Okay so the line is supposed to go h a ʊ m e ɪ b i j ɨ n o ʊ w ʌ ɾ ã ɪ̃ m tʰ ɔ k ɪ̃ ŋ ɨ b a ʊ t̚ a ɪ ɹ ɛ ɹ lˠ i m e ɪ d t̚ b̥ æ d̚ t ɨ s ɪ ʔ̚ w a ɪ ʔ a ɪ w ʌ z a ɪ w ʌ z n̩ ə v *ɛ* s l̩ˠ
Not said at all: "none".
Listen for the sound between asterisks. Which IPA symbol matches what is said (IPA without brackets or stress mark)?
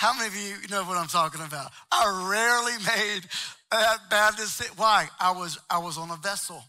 ɛ